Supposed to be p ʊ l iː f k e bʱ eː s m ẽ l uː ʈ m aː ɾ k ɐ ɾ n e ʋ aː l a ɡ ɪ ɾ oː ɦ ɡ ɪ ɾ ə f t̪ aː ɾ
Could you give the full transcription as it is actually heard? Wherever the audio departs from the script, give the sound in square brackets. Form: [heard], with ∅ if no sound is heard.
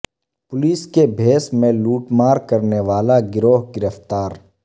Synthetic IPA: p ʊ l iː [s] k e bʱ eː s m ẽ l uː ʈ m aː ɾ k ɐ ɾ n e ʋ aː l a ɡ ɪ ɾ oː ɦ ɡ ɪ ɾ ə f t̪ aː ɾ